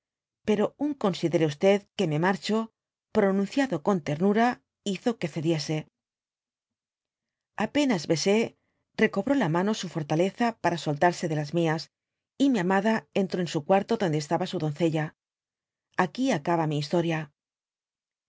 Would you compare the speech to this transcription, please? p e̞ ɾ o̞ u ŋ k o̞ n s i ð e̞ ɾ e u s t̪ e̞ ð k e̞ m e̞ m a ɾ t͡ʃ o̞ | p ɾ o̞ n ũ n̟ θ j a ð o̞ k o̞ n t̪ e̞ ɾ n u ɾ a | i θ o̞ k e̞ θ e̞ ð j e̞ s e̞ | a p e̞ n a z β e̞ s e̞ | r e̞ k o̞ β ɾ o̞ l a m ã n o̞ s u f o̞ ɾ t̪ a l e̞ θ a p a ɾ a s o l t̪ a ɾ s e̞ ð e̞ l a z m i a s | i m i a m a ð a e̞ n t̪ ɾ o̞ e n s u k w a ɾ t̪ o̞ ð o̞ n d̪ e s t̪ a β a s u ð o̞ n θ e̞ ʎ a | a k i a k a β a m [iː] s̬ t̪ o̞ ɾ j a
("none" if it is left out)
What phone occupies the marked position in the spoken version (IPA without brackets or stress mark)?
iː